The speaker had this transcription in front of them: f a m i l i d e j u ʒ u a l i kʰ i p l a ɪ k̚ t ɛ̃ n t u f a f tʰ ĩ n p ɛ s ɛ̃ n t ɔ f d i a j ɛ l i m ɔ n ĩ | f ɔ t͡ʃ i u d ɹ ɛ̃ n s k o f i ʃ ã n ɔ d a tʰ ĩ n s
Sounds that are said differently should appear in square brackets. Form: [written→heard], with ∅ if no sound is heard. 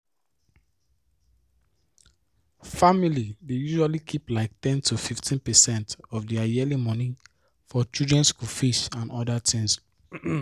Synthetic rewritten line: f a m i l i d e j u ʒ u a l i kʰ i p l a ɪ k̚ t ɛ̃ n t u f [a→i] f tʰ ĩ n p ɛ s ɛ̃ n t ɔ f d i a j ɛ l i m ɔ n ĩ | f ɔ t͡ʃ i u d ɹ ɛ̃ n s k [o→u] f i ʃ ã n ɔ d a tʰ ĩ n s